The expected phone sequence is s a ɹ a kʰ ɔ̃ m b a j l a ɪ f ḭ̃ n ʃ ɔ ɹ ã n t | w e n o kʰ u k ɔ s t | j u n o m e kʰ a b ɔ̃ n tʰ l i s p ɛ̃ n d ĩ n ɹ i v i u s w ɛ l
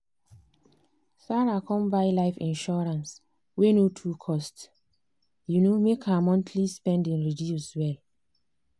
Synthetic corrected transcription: s a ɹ a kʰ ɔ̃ m b a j l a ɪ f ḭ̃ n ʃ ɔ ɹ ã n s | w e n o tʰ u kʰ ɔ s t | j u n o m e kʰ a m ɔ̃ n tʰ l i s p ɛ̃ n d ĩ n ɹ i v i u s w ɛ l